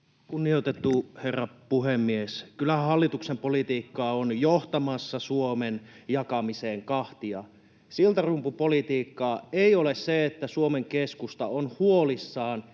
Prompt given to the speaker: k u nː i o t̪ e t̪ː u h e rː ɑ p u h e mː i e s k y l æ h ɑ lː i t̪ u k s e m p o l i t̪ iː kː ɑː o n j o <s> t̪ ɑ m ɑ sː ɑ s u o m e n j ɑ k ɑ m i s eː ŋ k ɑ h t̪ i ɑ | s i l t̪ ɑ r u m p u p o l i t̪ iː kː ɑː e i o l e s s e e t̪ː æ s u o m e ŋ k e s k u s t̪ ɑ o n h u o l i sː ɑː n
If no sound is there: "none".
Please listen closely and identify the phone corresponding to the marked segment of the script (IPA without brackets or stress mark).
h